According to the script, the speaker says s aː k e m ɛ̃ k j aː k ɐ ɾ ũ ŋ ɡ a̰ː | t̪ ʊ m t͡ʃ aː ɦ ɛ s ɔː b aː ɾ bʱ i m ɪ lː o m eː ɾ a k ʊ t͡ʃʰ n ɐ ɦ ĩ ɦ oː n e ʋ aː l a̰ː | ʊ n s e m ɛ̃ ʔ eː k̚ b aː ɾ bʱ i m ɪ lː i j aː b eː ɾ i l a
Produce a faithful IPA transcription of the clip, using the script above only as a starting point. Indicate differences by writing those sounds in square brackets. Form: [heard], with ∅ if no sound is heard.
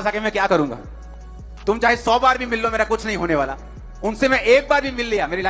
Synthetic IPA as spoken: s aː k e m ɛ̃ k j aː k ɐ ɾ ũ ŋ ɡ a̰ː | t̪ ʊ m t͡ʃ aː ɦ [e] s ɔː b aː ɾ bʱ i m ɪ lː o m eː ɾ a k ʊ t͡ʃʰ n ɐ ɦ ĩ ɦ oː n e ʋ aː l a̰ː | ʊ n s e m ɛ̃ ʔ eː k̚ b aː ɾ bʱ i m ɪ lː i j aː [m] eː ɾ i l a